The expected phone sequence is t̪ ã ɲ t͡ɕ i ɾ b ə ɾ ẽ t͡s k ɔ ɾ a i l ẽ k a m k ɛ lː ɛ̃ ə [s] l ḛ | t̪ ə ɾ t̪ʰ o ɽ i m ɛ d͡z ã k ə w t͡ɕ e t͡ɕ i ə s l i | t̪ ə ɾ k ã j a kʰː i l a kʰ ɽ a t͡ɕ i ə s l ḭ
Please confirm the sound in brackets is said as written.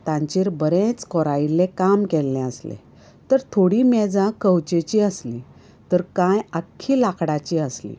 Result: yes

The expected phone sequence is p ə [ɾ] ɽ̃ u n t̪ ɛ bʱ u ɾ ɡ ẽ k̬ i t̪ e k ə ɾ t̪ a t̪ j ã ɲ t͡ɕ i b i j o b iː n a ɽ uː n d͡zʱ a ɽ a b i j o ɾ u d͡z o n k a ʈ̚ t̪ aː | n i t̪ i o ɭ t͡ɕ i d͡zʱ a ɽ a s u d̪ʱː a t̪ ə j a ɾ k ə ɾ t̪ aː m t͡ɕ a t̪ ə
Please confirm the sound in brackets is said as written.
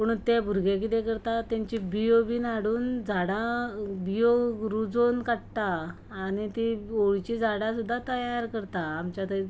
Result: no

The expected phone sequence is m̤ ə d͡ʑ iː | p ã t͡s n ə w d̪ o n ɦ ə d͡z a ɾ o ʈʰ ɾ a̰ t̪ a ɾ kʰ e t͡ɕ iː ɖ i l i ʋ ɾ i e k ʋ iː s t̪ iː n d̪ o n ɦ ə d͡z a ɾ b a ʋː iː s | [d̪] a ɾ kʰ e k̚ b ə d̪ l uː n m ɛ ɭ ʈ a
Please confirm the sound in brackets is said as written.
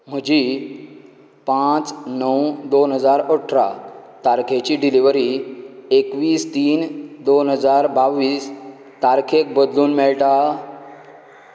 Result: no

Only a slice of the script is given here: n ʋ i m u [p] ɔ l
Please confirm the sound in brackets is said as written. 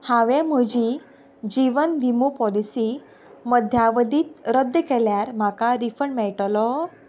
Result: yes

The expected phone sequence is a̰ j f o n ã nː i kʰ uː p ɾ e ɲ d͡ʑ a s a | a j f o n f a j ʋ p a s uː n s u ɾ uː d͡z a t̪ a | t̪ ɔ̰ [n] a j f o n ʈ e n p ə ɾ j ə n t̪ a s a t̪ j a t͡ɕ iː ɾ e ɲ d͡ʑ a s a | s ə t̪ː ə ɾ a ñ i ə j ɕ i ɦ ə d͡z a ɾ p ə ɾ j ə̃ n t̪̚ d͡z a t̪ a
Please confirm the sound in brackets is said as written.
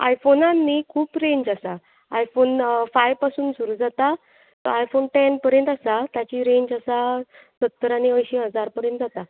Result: no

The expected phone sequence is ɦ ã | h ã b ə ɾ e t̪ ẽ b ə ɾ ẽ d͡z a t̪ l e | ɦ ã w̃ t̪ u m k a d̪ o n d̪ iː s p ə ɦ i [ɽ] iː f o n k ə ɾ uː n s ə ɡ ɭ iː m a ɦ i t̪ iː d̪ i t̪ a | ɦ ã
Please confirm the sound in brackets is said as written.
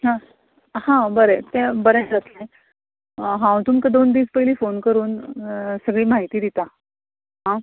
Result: no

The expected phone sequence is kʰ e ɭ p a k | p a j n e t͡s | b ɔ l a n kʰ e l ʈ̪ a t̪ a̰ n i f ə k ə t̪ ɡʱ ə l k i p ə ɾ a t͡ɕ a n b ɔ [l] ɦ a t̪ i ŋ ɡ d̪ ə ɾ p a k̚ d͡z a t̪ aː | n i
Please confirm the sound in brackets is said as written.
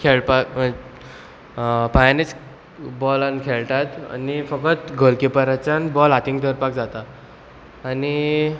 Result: yes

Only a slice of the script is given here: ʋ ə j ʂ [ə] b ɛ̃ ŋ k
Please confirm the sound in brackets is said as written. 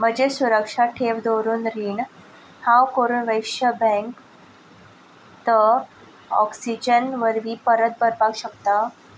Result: yes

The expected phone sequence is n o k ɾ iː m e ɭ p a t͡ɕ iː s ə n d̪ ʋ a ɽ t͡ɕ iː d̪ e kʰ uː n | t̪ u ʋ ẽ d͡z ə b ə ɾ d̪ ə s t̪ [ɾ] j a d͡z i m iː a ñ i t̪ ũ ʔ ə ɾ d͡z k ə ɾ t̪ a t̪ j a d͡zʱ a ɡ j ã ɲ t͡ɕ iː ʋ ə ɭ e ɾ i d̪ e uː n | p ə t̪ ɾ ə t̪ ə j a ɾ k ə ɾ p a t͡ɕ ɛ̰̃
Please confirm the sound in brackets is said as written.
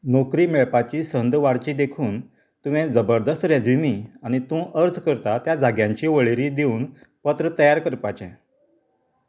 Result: yes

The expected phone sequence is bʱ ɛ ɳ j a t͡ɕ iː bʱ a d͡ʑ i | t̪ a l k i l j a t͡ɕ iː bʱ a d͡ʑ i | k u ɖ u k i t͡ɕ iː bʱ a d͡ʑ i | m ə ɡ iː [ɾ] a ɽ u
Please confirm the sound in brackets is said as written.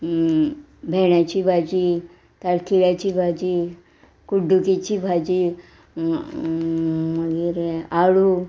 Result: yes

